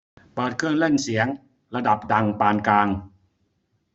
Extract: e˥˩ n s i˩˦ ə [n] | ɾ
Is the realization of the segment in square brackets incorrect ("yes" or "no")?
yes